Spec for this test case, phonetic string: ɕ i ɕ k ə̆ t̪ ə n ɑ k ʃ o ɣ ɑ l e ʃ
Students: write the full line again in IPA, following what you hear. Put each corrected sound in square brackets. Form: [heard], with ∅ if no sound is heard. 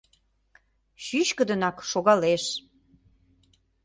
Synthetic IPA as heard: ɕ [y] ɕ k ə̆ [d̪] ə n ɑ k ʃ o ɣ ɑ l e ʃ